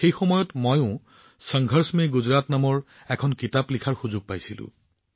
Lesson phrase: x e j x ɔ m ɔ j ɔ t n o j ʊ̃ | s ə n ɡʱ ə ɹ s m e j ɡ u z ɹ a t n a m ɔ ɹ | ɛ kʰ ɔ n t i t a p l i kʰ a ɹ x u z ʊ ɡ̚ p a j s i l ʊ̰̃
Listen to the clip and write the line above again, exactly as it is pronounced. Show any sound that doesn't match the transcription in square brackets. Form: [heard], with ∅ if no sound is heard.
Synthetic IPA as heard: x e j x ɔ m ɔ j ɔ t [m] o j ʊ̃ | s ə [ŋ] ɡʱ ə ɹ s m e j ɡ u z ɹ a t n a m ɔ ɹ | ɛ kʰ ɔ n [k] i t a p l i kʰ a ɹ x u z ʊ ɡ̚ p a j s i l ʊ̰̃

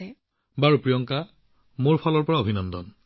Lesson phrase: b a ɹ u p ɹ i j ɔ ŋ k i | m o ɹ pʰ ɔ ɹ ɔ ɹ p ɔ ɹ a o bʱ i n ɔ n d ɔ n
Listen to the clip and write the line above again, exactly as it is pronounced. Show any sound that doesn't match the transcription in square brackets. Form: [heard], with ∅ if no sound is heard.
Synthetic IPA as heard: b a ɹ u p ɹ i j ɔ ŋ k [a] | m o ɹ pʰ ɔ [l] ɔ ɹ p ɔ ɹ a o bʱ i n ɔ n d ɔ n

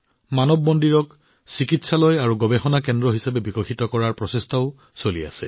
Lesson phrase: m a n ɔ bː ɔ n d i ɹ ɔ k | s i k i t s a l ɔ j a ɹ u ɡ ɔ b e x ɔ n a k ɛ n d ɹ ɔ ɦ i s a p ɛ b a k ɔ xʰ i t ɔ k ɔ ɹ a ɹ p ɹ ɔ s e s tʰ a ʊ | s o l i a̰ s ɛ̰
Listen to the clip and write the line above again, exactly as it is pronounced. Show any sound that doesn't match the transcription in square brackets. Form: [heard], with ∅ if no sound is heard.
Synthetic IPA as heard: m a n ɔ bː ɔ n d i ɹ ɔ k | s i k i t s a l ɔ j a ɹ u ɡ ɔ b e x ɔ n a k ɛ n d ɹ ɔ ɦ i s a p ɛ b [i] k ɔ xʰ i t ɔ k ɔ ɹ a ɹ p ɹ ɔ s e s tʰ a ʊ | s o l i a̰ s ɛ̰

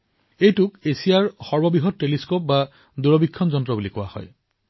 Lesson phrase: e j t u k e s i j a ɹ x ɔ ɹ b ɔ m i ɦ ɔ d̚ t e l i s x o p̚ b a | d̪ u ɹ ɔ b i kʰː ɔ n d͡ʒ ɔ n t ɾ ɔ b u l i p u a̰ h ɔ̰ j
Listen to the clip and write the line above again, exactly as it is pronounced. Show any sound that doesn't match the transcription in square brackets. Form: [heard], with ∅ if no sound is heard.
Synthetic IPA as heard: e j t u k e s i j a ɹ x ɔ ɹ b ɔ [b] i ɦ ɔ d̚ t e l i s [k] o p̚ b a | d̪ u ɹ ɔ b i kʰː ɔ n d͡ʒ ɔ n t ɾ ɔ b u l i [k] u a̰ h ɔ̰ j

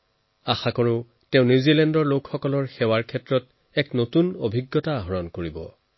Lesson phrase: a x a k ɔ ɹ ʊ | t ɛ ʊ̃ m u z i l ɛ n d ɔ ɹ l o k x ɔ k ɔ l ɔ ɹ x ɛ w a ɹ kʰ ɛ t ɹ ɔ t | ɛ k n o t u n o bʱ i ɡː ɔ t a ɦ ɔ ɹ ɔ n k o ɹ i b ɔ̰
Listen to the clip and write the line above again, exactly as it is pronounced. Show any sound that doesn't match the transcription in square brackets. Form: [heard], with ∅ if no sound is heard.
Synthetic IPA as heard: a x a k ɔ ɹ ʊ | t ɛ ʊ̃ [n] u z i l ɛ n d ɔ ɹ l o k x ɔ k ɔ l ɔ ɹ x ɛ w a ɹ kʰ ɛ t ɹ ɔ t | ɛ k n o t u n o bʱ i ɡː ɔ t a ɦ ɔ ɹ ɔ n k o ɹ i b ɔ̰

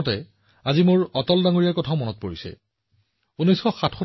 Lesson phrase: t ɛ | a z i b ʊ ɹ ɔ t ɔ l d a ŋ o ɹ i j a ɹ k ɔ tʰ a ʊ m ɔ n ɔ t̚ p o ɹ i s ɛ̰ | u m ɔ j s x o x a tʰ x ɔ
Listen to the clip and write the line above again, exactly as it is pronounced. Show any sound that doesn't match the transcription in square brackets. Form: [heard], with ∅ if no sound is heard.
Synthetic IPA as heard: t ɛ | a z i [m] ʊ ɹ ɔ t ɔ l d a ŋ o ɹ i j a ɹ k ɔ tʰ a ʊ m ɔ n ɔ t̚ p o ɹ i s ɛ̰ | u [n] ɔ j s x [ɔ] x a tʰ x ɔ

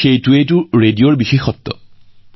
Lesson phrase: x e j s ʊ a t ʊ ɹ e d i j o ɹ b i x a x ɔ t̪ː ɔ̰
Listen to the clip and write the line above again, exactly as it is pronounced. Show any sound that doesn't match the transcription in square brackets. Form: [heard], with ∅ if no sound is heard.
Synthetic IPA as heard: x e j [t] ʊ [e] t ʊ ɹ e d i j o ɹ b i x [e] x ɔ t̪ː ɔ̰

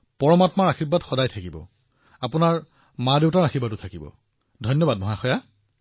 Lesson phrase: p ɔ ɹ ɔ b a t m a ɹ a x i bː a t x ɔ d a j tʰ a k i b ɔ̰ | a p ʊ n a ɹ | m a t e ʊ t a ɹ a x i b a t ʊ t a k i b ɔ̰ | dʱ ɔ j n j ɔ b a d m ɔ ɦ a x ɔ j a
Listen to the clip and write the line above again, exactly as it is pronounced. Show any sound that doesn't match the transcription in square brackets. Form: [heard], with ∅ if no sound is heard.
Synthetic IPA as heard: p ɔ ɹ ɔ [m] a t m a ɹ a x i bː a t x ɔ d a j tʰ a k i b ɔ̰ | a p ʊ n a ɹ | m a [d] e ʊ t a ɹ a x i b a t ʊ [tʰ] a k i b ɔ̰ | dʱ ɔ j n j ɔ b a d m ɔ ɦ a x ɔ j a

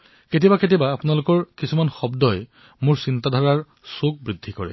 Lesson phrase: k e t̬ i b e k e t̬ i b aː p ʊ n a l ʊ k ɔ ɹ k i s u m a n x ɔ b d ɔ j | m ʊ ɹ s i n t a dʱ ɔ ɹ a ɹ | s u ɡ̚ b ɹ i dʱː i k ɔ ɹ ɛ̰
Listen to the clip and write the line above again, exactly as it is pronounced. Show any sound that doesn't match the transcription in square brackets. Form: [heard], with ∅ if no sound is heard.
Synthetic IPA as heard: k e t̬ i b [a] k e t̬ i b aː p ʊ n a l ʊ k ɔ ɹ k i s u m a n x ɔ b d ɔ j | m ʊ ɹ s i n t a dʱ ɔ ɹ a ɹ | s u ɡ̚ b ɹ i dʱː i k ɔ ɹ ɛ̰

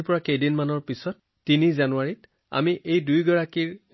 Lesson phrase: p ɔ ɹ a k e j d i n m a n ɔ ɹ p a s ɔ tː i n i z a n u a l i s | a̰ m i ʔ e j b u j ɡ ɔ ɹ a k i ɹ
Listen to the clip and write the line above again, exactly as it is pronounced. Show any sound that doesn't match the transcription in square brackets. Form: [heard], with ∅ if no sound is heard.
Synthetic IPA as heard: p ɔ ɹ a k e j d i n m a n ɔ ɹ p [i] s ɔ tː i n i z a n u a [ɹ] i [t] | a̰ m i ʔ e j [d] u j ɡ ɔ ɹ a k i ɹ

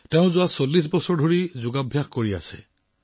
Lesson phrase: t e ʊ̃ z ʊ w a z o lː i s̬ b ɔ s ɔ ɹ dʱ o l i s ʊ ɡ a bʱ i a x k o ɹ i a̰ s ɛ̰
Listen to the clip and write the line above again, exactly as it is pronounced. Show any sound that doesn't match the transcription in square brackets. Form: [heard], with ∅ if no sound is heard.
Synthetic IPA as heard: t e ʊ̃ z ʊ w a [s] o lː i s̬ b ɔ s ɔ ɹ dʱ o [ɹ] i [z] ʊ ɡ a bʱ [j] a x k o ɹ i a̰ s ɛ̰

